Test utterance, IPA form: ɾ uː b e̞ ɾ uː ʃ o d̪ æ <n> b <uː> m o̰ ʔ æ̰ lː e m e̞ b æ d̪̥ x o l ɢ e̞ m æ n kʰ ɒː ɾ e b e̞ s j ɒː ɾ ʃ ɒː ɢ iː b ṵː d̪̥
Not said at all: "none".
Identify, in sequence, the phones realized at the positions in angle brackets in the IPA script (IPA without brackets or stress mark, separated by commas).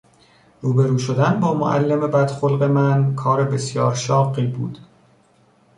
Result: n, ɒː